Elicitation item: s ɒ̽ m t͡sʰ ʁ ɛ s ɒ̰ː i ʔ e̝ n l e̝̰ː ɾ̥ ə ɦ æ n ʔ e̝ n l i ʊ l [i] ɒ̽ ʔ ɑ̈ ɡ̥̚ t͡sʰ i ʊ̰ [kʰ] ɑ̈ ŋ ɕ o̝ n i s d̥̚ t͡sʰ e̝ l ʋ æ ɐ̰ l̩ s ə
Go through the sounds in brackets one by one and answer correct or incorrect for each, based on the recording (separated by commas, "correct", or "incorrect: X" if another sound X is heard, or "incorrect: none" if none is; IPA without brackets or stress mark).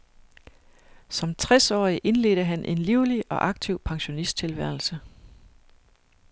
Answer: correct, incorrect: pʰ